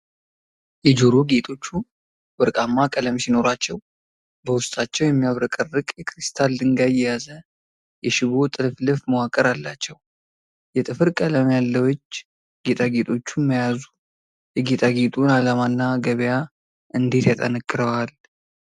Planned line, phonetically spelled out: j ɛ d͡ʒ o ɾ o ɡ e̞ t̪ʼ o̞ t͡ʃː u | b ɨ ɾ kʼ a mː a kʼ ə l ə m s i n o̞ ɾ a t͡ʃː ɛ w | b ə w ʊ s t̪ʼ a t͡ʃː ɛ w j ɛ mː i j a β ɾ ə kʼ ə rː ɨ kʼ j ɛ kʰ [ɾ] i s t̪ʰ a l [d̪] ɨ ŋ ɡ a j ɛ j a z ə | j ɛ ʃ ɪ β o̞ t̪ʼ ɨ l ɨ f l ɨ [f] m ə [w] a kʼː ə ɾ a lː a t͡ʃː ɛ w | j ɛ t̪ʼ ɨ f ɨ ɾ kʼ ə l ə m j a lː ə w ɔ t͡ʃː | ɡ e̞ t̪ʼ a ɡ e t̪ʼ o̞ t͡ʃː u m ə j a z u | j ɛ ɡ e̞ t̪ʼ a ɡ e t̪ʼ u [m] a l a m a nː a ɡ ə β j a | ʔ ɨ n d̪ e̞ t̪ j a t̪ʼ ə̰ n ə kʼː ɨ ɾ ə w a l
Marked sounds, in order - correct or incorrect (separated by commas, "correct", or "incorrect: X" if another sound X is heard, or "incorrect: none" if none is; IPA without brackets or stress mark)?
correct, correct, correct, correct, incorrect: n